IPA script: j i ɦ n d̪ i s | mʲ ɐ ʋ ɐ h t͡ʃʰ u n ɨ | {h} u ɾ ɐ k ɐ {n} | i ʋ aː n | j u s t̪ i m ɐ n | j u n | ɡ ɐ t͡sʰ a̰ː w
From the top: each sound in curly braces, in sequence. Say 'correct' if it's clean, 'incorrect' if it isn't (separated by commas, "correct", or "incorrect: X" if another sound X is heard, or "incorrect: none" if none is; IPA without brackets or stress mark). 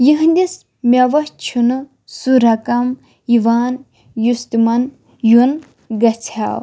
incorrect: s, incorrect: m